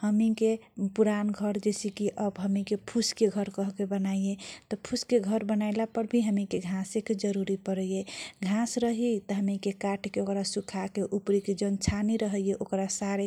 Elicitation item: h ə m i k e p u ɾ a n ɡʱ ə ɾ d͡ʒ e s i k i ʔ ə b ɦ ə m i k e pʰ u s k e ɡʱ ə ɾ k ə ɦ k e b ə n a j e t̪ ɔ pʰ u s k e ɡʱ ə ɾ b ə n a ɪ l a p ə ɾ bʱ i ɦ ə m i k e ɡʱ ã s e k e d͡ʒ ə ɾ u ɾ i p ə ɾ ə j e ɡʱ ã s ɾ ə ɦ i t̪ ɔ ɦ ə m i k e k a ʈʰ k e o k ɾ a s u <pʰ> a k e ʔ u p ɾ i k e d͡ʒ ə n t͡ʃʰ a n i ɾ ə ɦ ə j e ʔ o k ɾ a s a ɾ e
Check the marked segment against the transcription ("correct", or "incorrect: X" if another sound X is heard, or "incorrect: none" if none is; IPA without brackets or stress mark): incorrect: kʰ